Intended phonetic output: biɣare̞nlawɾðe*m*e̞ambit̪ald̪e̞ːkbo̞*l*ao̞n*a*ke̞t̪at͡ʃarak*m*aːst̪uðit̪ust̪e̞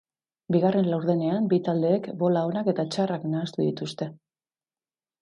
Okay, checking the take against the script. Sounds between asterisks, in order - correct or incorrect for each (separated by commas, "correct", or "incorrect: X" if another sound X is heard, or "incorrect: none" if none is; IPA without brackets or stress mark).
incorrect: n, correct, correct, incorrect: n